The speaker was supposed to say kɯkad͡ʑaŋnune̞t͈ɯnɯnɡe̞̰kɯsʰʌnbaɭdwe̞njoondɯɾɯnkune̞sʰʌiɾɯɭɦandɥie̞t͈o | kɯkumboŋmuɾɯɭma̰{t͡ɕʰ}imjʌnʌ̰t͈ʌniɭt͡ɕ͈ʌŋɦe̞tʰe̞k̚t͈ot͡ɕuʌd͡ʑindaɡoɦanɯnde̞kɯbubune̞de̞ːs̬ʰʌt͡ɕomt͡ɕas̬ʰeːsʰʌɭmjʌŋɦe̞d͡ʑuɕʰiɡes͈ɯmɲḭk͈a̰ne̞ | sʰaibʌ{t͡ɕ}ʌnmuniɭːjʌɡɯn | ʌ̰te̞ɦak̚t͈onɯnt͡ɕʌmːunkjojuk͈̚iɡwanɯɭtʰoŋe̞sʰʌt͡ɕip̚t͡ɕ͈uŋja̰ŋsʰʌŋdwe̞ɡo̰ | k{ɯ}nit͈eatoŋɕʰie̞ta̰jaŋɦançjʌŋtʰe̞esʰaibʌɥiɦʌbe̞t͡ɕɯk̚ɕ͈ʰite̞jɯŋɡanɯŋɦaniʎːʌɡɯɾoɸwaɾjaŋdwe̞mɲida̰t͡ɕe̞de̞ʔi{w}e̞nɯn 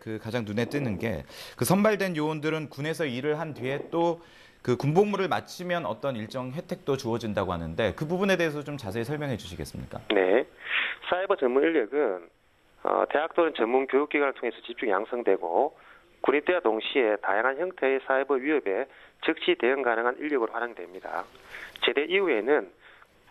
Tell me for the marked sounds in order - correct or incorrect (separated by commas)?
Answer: correct, correct, incorrect, incorrect